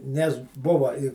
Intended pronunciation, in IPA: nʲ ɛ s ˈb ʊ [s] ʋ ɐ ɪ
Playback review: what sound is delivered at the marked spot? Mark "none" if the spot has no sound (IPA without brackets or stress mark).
none